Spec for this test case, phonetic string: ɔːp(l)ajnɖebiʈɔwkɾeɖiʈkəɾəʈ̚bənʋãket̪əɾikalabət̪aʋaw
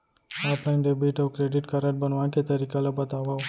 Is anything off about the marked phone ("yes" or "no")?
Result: no